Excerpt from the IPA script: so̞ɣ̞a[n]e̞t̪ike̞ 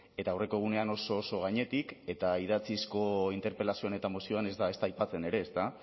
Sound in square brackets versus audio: incorrect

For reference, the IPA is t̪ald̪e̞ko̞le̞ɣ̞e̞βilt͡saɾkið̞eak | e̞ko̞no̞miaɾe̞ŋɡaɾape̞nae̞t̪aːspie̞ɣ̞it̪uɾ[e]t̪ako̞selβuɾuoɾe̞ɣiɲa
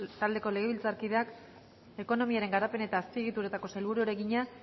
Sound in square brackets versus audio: correct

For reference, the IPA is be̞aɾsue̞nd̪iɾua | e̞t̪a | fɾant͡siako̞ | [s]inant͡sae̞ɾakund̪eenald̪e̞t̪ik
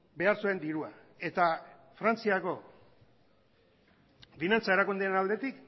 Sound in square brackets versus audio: incorrect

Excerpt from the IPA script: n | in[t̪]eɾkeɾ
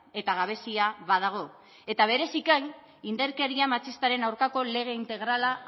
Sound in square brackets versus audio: incorrect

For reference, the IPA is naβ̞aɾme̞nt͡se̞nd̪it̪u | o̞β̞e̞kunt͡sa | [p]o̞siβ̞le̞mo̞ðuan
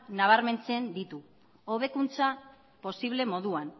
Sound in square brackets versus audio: correct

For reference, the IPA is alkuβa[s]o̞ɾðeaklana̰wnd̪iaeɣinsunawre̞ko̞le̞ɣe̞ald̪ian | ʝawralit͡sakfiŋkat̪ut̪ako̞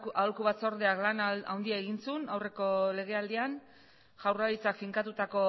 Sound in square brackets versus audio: incorrect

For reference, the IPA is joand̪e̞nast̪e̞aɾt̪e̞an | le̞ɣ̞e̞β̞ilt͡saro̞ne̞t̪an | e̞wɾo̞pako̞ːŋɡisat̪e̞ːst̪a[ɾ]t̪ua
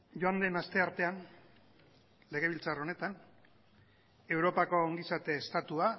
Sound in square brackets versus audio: incorrect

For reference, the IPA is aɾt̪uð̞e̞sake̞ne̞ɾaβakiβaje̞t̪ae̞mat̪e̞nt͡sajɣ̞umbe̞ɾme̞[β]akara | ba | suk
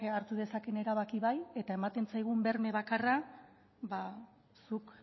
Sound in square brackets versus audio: correct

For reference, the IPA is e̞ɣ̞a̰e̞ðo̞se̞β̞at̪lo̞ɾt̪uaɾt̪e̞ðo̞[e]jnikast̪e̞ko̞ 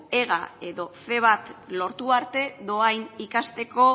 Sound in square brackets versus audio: incorrect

